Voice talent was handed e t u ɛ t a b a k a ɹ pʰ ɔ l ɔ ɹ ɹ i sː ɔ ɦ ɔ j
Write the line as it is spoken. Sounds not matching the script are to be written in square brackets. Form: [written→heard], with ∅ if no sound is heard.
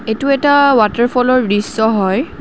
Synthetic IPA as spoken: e t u ɛ t a [b→w] a [k→t] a ɹ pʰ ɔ l ɔ ɹ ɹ i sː ɔ ɦ ɔ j